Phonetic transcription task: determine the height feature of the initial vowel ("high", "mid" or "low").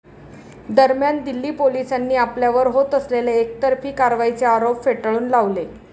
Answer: mid